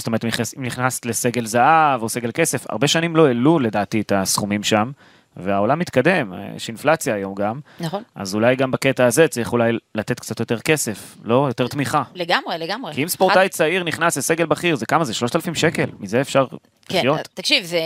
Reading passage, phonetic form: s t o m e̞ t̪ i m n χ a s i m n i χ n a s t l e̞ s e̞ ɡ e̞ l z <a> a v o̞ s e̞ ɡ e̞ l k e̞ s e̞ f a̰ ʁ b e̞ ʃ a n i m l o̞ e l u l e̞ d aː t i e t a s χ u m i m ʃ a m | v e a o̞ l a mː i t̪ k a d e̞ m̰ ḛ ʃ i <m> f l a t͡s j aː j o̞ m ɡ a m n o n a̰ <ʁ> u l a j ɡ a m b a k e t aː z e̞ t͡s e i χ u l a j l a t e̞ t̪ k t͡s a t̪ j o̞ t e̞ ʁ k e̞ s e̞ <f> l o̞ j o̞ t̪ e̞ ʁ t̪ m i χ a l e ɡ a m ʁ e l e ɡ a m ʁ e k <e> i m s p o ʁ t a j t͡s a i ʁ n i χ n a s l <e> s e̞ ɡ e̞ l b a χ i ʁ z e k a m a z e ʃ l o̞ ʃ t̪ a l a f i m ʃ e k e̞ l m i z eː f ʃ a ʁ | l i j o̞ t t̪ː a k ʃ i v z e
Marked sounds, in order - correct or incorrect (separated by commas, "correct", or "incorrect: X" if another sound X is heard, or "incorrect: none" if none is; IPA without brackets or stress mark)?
correct, incorrect: n, incorrect: z, correct, incorrect: i, correct